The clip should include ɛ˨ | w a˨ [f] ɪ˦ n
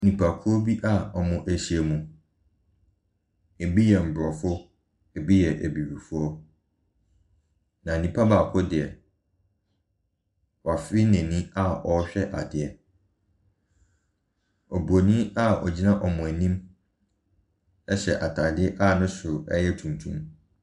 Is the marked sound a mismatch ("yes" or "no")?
no